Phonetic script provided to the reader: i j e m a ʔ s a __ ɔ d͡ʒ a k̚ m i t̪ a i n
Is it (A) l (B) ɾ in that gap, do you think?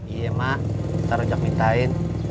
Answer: B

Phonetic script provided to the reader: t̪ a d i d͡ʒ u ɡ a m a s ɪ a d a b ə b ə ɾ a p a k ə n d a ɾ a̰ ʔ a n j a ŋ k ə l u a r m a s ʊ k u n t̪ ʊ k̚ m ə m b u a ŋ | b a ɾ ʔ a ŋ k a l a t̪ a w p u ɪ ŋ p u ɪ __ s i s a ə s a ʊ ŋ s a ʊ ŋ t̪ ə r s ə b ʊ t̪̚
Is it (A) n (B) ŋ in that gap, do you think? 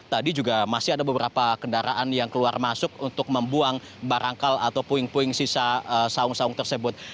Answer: B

